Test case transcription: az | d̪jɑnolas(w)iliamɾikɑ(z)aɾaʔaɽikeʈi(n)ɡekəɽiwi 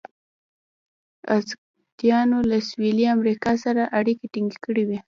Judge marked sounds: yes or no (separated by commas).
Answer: yes, no, no